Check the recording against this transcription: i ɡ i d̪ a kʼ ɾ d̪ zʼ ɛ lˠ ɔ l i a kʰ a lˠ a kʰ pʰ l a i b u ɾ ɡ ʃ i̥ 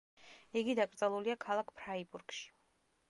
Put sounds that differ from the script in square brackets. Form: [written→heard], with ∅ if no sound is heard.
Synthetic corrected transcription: i ɡ i d̪ a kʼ ɾ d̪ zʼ ɛ lˠ [ɔ→u] l i a kʰ a lˠ a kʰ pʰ [l→ɾ] a i b u ɾ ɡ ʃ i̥